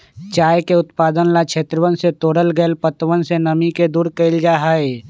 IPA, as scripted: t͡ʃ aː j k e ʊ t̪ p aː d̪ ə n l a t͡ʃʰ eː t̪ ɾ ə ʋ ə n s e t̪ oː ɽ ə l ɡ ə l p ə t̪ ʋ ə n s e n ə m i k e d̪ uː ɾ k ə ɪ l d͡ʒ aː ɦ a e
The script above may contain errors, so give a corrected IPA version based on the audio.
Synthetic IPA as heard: t͡ʃ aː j k e ʊ t̪ p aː d̪ ə n l a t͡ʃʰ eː t̪ ɾ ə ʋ ə n s e t̪ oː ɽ ə l ɡ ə l p ə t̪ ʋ ə n s e n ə m i k e d̪ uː ɾ k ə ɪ l d͡ʒ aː ɦ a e